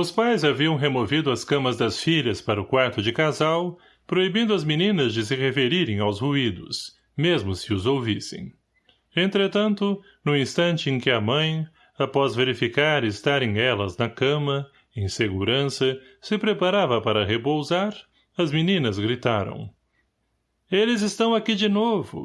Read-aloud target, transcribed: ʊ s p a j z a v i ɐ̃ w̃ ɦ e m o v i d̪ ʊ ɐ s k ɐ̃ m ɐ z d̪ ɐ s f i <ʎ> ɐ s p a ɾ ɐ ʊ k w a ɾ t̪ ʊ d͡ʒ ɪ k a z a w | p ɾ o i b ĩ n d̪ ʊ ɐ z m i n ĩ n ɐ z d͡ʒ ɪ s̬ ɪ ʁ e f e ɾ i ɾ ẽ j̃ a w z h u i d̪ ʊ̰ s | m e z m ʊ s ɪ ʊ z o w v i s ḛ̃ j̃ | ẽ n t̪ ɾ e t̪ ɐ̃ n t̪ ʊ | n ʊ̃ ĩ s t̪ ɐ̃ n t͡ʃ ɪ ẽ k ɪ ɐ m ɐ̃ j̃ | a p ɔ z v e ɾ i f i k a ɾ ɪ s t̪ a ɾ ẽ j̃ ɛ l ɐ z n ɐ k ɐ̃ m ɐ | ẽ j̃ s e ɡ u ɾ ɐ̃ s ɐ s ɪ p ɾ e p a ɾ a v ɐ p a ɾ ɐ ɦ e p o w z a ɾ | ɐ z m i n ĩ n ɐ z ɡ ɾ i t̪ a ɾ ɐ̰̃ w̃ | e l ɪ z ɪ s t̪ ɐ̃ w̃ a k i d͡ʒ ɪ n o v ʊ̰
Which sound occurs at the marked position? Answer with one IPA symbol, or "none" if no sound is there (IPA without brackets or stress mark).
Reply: ʎ